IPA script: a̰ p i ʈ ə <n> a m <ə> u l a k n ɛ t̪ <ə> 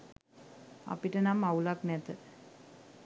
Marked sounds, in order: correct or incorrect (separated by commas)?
correct, incorrect, correct